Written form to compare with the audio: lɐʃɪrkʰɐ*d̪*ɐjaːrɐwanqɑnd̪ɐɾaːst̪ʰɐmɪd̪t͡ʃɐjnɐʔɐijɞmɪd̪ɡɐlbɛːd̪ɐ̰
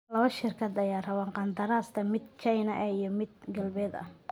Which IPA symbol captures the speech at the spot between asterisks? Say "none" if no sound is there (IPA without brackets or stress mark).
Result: d̪